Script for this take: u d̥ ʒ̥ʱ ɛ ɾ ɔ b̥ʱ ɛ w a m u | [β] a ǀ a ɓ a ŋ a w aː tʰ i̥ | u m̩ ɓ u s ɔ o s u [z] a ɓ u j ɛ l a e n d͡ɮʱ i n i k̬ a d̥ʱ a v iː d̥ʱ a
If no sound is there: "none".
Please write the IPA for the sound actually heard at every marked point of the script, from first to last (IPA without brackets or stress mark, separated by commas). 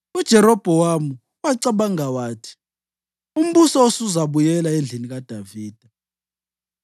w, z